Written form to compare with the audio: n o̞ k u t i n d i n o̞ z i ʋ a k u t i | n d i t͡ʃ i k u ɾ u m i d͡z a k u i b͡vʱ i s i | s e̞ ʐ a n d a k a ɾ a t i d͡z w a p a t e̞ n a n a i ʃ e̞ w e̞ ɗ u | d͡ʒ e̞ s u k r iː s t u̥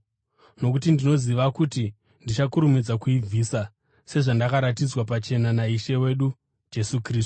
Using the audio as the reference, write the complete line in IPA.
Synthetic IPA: n o̞ k u t i n d i n o̞ z i ʋ a k u t i | n d i t͡ʃ a k u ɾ u m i d͡z a k u i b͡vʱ i s a | s e̞ ʐ a n d a k a ɾ a t i d͡z w a p a t͡ʃ e̞ n a n a i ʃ e̞ w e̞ ɗ u | d͡ʒ e̞ s u k r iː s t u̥